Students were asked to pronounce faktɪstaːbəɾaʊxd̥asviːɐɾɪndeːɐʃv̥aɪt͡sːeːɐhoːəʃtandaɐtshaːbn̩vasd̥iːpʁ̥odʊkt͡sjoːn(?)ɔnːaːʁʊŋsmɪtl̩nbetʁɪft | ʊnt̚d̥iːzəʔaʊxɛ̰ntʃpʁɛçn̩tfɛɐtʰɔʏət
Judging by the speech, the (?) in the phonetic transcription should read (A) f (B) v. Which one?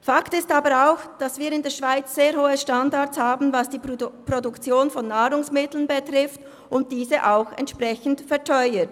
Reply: A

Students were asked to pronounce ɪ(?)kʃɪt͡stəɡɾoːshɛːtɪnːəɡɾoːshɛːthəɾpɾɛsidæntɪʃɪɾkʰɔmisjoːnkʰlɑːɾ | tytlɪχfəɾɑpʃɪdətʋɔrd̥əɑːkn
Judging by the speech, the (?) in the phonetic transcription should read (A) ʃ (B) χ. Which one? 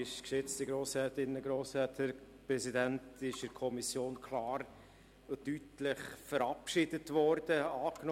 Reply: A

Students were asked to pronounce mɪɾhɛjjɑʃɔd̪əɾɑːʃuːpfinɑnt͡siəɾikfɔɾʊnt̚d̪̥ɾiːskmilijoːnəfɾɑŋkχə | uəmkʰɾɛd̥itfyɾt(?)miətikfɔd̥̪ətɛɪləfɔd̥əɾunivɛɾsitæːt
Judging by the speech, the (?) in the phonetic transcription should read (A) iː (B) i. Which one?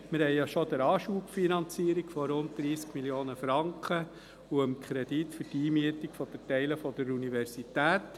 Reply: A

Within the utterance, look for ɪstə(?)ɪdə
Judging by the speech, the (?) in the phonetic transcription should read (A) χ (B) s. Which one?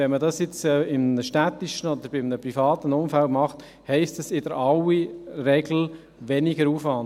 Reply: B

